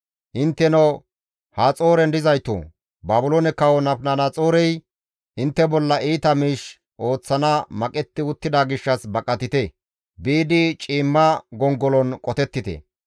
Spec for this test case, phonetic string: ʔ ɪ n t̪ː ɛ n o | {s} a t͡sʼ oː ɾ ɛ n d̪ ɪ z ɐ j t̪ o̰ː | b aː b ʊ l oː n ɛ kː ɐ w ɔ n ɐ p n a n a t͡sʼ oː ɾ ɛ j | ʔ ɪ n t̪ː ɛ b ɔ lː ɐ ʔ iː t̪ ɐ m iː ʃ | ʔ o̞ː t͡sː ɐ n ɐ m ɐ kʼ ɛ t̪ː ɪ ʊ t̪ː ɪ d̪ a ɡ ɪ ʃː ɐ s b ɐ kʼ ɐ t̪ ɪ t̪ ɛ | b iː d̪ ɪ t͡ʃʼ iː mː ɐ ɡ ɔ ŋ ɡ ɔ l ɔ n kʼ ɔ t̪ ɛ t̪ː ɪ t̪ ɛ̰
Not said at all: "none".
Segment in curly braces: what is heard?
h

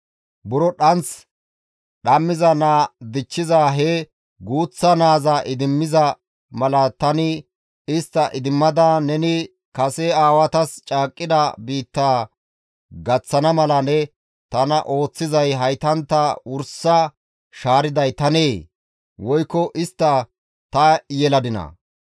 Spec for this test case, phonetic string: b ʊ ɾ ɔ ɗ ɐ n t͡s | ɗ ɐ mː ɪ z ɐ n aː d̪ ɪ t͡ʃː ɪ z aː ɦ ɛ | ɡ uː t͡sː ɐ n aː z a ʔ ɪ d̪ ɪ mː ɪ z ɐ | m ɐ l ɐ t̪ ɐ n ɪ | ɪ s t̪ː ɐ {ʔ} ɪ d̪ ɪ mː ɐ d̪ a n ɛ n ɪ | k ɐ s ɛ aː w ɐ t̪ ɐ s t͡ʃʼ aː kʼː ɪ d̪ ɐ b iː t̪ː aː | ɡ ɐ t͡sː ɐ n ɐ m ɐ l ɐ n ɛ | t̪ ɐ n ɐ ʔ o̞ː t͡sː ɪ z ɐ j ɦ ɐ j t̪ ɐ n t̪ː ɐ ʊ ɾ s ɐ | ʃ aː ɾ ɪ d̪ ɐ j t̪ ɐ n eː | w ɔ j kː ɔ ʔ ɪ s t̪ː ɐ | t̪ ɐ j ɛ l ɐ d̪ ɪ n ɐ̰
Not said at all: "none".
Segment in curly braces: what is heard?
ʔ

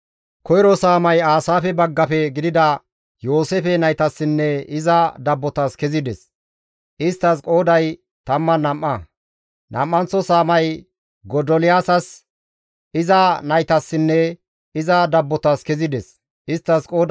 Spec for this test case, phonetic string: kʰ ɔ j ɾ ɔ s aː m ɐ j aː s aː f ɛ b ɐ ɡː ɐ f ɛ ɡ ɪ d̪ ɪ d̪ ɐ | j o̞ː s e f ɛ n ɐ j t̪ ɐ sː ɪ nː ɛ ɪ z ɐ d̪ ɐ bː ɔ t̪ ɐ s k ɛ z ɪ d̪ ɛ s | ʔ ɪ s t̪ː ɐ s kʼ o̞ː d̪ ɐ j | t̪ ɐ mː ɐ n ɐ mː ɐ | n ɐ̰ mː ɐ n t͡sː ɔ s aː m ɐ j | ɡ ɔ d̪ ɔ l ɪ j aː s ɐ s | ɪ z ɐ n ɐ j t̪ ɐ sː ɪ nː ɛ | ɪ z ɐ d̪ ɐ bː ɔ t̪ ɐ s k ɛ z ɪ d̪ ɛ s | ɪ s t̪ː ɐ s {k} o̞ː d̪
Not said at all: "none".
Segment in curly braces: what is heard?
kʼ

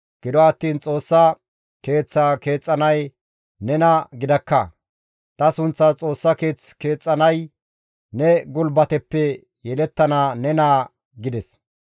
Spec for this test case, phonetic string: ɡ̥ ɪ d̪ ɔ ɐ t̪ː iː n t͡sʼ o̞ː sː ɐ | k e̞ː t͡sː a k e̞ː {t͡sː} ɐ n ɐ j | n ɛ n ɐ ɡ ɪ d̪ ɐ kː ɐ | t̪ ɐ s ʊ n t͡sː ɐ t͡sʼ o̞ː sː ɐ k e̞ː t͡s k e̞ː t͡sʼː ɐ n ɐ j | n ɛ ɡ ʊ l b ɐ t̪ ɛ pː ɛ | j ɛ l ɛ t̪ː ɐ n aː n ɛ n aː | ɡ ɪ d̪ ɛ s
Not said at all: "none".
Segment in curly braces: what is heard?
t͡sʼː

